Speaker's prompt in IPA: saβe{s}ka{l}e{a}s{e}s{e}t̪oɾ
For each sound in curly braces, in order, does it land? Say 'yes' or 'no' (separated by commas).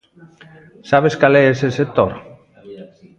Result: yes, yes, no, yes, yes